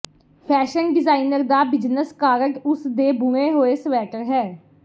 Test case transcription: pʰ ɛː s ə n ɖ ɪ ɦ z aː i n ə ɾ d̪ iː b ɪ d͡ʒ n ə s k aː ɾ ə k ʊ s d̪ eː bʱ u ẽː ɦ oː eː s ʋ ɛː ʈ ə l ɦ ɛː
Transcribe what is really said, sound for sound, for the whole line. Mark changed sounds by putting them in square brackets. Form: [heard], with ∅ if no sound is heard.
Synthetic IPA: pʰ ɛː [ʃ] ə n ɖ ɪ [∅] z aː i n ə ɾ d̪ [aː] b ɪ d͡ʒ n ə s k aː ɾ ə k ʊ s d̪ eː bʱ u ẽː ɦ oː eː s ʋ ɛː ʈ ə [ɾ] ɦ ɛː